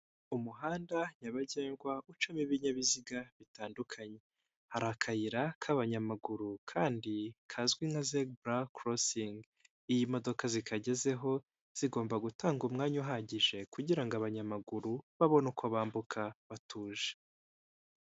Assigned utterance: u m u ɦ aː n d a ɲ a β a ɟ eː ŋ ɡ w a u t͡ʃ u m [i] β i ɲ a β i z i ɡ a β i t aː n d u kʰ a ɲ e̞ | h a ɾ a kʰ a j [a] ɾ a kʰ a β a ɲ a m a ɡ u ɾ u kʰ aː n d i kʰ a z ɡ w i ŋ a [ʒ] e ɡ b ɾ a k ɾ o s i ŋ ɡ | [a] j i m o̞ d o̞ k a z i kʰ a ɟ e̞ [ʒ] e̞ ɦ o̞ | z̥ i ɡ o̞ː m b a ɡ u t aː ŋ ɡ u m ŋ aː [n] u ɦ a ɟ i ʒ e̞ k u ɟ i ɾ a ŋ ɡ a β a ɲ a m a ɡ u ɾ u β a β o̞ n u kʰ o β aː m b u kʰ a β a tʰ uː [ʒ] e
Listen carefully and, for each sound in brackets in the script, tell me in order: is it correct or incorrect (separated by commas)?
correct, incorrect, incorrect, incorrect, incorrect, incorrect, correct